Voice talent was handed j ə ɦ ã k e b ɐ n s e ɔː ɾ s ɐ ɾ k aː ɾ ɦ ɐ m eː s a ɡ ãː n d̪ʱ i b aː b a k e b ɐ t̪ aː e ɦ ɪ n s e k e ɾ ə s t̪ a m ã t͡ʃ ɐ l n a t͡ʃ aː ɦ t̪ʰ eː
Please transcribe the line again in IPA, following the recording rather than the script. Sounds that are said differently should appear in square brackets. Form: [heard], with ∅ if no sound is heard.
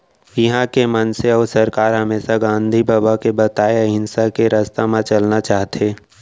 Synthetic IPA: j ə ɦ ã k e [m] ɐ n s e ɔː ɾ s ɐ ɾ k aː ɾ ɦ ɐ m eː s a ɡ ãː n d̪ʱ i b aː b a k e b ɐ t̪ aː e ɦ ɪ n s [a] k e ɾ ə s t̪ a m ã t͡ʃ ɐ l n a t͡ʃ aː ɦ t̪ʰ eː